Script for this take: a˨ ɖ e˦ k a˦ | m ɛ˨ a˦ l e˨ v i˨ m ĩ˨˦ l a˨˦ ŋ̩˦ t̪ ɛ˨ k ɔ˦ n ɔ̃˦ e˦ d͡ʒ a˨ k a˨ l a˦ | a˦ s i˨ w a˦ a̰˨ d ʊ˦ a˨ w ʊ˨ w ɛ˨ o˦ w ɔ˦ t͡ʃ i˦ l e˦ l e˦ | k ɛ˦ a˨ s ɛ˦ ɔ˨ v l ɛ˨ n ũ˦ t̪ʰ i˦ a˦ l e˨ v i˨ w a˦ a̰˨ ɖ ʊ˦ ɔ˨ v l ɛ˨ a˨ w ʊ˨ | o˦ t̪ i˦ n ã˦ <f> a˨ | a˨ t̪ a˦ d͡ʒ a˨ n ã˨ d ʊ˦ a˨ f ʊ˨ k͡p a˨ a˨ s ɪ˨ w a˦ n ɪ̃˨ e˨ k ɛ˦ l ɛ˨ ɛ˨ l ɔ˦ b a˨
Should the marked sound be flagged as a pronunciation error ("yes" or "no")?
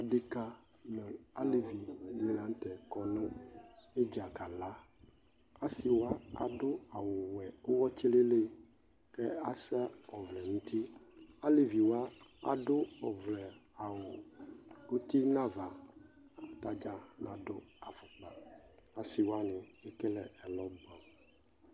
yes